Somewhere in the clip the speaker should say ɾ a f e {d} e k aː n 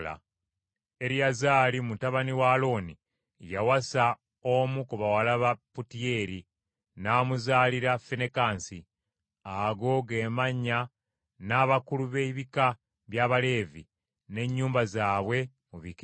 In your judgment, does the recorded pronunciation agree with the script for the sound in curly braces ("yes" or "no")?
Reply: no